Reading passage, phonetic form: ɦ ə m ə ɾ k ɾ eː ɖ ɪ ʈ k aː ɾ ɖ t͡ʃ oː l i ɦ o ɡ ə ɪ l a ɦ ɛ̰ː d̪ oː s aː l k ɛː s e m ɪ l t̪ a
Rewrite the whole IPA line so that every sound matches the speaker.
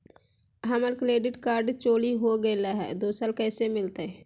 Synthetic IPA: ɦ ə m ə ɾ k ɾ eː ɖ ɪ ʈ k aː ɾ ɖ t͡ʃ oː l i ɦ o ɡ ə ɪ l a ɦ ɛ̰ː d̪ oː s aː l k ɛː s e m ɪ l t̪ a